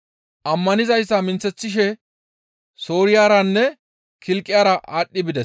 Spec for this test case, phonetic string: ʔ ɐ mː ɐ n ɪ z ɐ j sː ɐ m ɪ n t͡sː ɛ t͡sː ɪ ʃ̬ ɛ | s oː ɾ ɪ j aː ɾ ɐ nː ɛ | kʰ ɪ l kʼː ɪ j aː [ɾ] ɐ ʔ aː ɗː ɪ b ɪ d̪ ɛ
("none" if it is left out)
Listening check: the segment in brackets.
ɾ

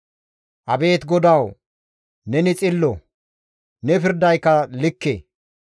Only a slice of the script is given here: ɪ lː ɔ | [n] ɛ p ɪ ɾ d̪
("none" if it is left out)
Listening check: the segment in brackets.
n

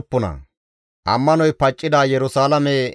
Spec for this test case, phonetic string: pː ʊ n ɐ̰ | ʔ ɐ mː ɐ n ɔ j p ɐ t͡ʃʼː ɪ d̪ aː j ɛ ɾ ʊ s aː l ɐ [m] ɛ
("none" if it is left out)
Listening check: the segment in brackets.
m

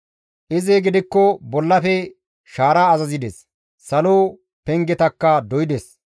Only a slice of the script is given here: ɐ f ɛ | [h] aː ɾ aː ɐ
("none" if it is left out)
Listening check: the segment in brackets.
ʃ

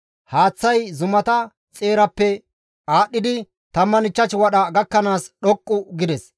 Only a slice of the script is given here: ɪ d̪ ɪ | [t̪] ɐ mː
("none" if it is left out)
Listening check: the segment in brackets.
t̪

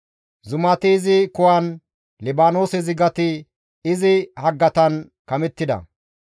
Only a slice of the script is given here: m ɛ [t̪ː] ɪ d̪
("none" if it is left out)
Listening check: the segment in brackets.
t̪ː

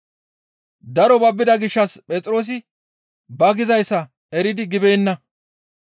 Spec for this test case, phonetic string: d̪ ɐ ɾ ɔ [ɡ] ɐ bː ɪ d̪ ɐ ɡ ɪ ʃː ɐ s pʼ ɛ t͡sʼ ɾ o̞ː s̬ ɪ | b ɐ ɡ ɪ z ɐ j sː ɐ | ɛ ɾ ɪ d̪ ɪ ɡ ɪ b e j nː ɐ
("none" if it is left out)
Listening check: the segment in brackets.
b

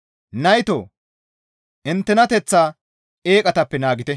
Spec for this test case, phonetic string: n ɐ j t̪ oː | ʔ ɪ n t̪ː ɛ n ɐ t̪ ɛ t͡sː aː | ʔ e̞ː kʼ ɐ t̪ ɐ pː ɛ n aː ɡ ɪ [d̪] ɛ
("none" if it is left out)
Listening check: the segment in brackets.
t̪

